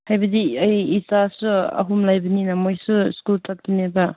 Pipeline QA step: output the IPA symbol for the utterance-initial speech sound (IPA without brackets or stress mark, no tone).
h